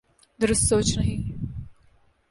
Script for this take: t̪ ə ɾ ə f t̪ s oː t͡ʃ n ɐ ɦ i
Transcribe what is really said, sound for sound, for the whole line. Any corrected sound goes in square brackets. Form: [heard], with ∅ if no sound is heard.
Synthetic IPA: [d̪] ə ɾ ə [s] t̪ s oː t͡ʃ n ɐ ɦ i